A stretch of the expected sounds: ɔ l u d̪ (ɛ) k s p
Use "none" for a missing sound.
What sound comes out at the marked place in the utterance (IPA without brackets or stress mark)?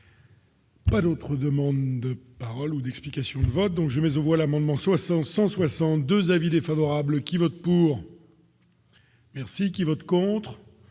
ɛ